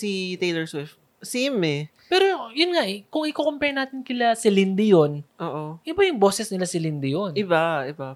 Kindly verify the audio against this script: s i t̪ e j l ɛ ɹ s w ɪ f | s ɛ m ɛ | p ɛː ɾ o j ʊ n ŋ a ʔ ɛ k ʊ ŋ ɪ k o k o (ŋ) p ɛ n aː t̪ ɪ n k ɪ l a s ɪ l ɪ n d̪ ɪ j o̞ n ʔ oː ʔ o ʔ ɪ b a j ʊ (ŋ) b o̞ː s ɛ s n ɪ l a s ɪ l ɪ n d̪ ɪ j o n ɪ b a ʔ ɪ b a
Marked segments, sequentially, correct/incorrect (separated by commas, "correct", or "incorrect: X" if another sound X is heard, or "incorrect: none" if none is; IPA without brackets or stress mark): incorrect: m, correct